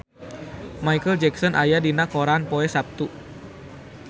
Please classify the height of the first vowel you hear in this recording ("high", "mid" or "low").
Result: low